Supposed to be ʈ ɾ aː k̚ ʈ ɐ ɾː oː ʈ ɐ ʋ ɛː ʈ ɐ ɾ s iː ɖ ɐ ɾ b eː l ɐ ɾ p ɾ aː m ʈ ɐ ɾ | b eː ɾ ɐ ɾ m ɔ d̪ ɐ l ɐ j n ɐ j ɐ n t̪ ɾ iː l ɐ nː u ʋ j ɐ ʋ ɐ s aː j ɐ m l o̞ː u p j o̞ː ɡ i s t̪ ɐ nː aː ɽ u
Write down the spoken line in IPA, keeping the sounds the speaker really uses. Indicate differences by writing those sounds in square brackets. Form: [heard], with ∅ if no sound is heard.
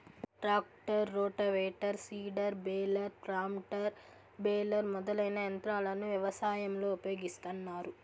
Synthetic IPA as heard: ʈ ɾ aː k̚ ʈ ɐ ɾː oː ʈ ɐ ʋ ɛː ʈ ɐ ɾ s iː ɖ ɐ ɾ b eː l ɐ ɾ p ɾ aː m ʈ ɐ ɾ | b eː [l] ɐ ɾ m ɔ d̪ ɐ l ɐ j n ɐ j ɐ n t̪ ɾ [aː] l ɐ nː u ʋ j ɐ ʋ ɐ s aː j ɐ m l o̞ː u p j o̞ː ɡ i s t̪ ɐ nː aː [ɾ] u